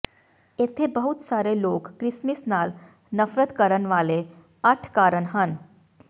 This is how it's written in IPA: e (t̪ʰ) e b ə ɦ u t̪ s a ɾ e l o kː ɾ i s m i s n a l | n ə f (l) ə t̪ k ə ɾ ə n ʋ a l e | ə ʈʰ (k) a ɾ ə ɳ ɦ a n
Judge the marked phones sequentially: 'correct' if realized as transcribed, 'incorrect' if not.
correct, incorrect: ɾ, correct

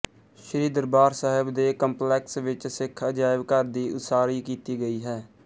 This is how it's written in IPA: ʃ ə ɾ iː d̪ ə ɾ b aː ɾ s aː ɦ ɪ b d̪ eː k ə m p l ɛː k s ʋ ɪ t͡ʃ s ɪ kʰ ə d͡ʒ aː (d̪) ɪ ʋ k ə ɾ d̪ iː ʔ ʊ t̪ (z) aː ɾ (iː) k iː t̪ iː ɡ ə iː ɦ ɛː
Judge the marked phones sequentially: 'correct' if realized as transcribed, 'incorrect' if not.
incorrect: none, incorrect: s, correct

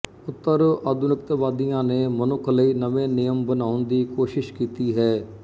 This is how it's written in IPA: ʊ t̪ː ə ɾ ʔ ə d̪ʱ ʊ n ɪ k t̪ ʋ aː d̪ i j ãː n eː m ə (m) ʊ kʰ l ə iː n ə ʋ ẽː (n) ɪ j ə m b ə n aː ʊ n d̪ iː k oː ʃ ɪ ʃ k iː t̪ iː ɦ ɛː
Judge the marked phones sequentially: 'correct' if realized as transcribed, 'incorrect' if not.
incorrect: n, correct

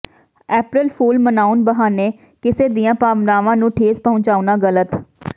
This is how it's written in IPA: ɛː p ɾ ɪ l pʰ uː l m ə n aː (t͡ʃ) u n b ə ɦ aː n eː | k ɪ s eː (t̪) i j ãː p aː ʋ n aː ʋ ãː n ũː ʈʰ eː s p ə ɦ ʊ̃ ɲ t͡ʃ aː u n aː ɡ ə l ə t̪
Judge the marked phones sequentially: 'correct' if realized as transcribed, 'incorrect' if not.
incorrect: none, incorrect: d̪

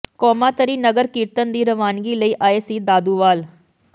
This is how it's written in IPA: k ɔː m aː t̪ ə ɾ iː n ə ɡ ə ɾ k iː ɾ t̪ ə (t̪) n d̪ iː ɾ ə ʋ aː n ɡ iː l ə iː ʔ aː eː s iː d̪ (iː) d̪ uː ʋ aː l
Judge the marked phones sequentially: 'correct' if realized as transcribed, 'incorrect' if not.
incorrect: none, incorrect: aː

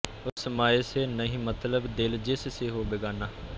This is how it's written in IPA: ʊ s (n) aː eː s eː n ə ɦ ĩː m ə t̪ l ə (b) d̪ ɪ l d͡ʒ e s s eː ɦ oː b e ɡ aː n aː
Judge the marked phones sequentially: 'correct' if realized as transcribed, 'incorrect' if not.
incorrect: m, correct

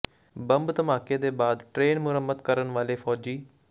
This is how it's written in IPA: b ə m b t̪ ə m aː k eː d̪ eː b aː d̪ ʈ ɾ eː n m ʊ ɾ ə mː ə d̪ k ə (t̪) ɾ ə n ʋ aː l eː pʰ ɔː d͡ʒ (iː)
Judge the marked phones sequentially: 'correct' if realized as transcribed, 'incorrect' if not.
incorrect: none, correct

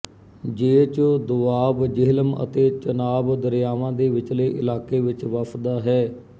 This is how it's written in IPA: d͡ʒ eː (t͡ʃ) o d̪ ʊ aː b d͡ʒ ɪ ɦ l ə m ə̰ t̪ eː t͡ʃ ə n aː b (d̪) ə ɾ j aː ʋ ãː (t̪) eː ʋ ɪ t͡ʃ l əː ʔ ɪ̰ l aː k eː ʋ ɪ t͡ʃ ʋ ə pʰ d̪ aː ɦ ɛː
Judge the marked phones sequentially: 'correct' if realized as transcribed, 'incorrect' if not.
correct, correct, incorrect: d̪

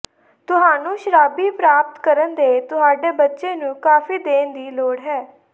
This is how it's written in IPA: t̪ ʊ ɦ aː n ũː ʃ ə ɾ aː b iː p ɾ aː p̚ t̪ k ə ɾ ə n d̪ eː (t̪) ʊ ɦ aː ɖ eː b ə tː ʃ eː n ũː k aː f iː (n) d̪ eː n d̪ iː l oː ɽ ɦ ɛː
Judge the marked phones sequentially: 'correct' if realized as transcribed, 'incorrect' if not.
correct, incorrect: none

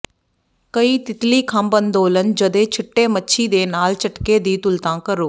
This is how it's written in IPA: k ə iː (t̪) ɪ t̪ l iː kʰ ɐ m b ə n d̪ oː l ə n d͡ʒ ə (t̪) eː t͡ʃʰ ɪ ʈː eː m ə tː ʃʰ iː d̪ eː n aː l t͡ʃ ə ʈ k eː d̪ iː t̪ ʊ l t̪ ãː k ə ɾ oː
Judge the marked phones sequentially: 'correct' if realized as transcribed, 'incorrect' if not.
correct, incorrect: d̪

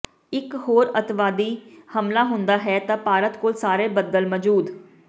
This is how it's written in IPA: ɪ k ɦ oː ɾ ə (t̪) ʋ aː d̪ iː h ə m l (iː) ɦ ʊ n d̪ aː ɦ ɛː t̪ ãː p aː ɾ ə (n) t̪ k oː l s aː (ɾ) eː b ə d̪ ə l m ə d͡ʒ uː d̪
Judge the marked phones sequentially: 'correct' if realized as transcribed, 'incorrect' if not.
correct, incorrect: aː, incorrect: none, correct

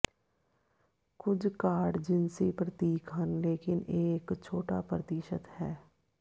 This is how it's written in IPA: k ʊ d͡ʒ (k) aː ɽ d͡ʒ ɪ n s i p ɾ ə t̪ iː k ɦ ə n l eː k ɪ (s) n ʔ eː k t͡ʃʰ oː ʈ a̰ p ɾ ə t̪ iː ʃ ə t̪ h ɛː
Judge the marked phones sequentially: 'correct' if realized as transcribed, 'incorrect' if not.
correct, incorrect: none

